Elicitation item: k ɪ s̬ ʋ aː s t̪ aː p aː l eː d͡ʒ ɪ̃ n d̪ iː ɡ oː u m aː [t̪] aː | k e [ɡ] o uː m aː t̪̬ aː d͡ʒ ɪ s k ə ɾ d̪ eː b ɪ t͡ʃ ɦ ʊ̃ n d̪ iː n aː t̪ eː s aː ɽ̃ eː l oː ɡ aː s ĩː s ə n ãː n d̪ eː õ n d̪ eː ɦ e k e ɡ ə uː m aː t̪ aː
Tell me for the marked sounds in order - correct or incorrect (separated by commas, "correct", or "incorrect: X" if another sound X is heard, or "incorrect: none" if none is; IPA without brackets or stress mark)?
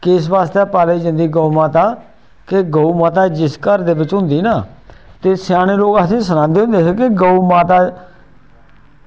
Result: correct, correct